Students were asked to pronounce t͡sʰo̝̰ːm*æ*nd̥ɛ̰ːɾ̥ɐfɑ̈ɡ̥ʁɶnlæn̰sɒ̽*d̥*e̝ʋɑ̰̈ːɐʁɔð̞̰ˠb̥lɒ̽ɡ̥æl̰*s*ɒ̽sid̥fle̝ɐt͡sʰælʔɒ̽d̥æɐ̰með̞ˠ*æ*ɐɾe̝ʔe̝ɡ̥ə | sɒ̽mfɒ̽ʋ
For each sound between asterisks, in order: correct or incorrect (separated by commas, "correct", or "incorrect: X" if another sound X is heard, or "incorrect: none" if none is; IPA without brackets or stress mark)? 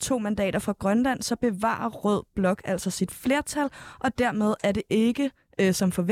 correct, incorrect: b̥, correct, correct